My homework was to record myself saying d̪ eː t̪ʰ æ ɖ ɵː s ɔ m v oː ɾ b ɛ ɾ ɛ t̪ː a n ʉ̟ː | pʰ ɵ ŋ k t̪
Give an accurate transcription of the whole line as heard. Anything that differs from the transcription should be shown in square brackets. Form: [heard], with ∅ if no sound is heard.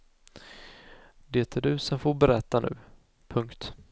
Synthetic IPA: d̪ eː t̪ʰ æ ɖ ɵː s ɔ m [f] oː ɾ b ɛ ɾ ɛ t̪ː a n ʉ̟ː | pʰ ɵ ŋ k t̪